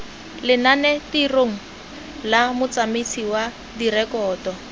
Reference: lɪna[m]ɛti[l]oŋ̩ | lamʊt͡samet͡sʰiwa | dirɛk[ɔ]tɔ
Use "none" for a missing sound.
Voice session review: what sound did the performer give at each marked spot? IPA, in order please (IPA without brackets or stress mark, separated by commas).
n, r, ɔː